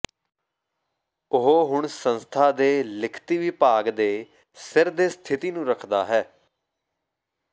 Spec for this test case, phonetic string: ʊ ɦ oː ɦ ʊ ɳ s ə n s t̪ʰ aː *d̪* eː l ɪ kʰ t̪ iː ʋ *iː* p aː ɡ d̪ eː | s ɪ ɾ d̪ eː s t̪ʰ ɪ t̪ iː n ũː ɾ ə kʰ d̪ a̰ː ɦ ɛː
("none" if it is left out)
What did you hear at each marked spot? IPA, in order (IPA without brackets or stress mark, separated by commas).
d̪, iː